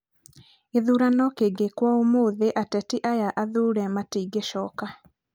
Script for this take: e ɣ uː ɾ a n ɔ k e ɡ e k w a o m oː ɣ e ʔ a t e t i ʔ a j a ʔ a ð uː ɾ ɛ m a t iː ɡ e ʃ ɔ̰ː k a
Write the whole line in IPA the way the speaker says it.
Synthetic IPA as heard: e ð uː ɾ a n ɔ k e ɡ e k w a o m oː ð e ʔ a t ɛ t i ʔ a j a ʔ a ð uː ɾ ɛ m a t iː ɡ e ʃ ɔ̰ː k a